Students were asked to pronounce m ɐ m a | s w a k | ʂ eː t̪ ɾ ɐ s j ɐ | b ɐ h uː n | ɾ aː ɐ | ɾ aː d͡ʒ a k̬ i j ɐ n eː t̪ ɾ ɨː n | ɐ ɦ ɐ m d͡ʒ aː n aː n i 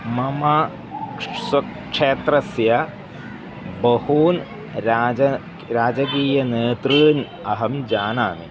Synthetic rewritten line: m ɐ m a | s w ɐ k | ʂ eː t̪ ɾ ɐ s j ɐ | b ɐ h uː n | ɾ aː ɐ | ɾ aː d͡ʒ ɐ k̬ iː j ɐ n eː t̪ ɾ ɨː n | ɐ ɦ ɐ m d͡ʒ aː n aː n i